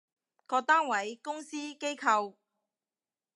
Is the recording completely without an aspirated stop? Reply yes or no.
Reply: no